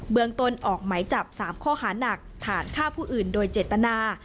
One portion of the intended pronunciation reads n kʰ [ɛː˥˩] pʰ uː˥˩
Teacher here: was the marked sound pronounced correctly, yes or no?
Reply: no